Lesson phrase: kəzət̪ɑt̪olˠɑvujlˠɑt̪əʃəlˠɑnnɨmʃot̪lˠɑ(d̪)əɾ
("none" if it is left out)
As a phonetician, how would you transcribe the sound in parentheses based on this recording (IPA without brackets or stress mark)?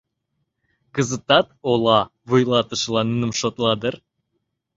d̪